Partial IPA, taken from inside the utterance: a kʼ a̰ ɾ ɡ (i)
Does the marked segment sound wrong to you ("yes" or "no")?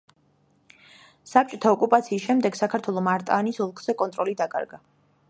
yes